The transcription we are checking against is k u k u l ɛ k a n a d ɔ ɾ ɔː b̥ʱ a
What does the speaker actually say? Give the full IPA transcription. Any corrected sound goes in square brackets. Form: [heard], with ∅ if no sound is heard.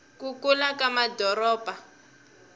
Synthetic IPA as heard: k u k u l [a] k a [m] a d ɔ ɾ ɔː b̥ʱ a